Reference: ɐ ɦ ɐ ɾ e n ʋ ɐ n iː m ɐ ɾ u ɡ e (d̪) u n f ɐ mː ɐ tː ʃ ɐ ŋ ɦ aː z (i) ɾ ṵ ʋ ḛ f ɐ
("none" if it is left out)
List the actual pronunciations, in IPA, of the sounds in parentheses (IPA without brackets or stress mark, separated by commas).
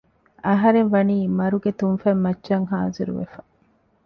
t̪, i